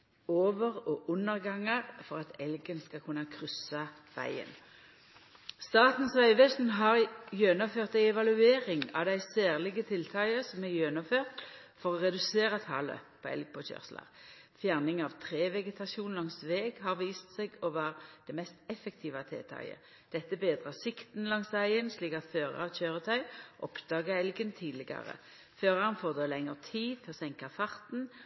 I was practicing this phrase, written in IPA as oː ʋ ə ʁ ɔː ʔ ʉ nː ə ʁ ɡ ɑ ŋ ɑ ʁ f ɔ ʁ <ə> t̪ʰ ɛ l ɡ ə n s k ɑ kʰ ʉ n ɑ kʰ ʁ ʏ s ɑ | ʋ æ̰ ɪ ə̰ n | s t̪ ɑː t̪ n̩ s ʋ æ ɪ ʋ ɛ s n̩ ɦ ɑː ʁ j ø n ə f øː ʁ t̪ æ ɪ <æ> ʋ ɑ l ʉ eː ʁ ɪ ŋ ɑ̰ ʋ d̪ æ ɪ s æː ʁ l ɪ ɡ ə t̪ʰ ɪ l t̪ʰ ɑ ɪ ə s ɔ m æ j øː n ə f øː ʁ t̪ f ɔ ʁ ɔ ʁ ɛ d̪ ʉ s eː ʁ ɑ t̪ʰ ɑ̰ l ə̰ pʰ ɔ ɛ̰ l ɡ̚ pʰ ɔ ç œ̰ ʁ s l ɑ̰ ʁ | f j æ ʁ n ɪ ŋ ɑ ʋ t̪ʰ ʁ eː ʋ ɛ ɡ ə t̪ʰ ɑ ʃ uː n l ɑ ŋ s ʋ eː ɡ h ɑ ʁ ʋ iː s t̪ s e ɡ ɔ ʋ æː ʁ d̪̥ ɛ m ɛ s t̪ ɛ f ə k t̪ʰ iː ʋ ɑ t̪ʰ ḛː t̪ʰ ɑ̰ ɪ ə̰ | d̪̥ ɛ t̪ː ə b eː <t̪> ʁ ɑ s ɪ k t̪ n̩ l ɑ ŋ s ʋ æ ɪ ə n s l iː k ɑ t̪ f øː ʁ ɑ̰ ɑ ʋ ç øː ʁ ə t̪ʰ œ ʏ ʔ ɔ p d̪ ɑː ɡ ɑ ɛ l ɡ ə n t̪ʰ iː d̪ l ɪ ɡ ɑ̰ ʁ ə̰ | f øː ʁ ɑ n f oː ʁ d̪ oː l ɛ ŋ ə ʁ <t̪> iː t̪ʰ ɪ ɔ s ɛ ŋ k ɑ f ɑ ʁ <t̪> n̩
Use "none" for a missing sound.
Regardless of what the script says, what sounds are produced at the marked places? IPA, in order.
ɑ, ɛ, d̪, t̪ʰ, t̪

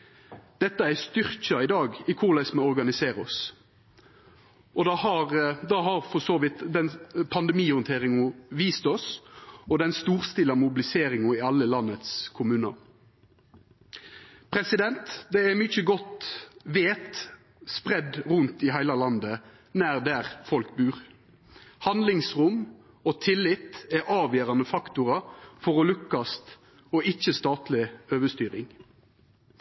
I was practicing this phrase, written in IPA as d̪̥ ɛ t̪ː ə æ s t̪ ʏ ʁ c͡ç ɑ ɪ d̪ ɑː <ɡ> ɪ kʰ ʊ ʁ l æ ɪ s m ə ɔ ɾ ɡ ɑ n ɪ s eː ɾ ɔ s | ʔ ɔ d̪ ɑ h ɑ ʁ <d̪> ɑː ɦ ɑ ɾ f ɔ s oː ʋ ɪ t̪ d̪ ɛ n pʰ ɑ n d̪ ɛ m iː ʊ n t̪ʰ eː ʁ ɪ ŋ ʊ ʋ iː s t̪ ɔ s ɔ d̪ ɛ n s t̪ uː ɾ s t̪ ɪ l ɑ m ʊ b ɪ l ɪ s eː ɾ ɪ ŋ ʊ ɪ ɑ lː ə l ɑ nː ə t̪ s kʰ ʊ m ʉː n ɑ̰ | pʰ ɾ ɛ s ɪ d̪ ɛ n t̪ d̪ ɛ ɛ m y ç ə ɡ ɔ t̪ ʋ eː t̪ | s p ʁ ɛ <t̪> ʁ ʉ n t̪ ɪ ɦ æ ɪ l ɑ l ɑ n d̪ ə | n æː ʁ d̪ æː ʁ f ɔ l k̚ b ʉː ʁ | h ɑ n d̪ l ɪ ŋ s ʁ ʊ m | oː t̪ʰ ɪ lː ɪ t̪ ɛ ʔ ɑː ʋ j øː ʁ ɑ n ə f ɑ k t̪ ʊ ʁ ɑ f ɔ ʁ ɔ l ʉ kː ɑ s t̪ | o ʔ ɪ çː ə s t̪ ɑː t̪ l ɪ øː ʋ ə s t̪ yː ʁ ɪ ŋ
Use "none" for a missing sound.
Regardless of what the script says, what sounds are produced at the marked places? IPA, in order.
ɡ, d̪, d̪

